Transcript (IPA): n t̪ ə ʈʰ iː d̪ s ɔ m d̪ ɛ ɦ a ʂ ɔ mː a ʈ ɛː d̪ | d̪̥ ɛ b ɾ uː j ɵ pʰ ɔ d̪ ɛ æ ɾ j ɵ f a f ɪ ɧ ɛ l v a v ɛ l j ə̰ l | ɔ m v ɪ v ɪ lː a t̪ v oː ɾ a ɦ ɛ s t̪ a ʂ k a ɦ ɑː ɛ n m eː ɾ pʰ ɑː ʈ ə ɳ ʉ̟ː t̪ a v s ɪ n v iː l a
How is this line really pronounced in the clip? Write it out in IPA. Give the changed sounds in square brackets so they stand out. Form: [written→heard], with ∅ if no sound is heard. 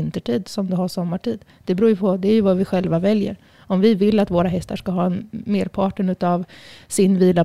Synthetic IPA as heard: n t̪ ə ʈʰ iː d̪ s ɔ m d̪ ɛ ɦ a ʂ ɔ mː a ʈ [ɛː→iː] d̪ | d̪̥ ɛ b ɾ uː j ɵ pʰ ɔ d̪ ɛ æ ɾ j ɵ [f→v] a [f→v] ɪ ɧ ɛ l v a v ɛ l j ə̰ [l→ɾ] | ɔ m v ɪ v ɪ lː a t̪ v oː ɾ a ɦ ɛ s t̪ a ʂ k a ɦ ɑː ɛ n m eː ɾ pʰ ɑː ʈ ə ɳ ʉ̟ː t̪ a v s ɪ n v iː l a